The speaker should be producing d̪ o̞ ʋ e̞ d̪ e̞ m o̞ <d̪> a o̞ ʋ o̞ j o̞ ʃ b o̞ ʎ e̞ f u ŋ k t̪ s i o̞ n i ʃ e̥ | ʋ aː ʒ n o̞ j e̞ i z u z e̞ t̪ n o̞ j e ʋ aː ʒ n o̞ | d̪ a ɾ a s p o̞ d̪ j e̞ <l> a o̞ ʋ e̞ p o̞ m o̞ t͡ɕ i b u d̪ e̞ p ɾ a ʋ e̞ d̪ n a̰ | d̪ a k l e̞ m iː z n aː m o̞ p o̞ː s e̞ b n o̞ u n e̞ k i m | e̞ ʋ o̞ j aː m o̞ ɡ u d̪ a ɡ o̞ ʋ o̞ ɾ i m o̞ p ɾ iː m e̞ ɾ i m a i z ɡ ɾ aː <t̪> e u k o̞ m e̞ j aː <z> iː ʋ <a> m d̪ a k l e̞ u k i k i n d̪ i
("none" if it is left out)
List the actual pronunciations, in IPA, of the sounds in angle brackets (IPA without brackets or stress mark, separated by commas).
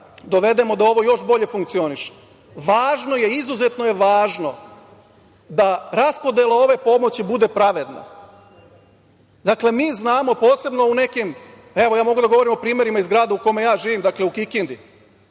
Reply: d̪, l, d̪, ʒ, i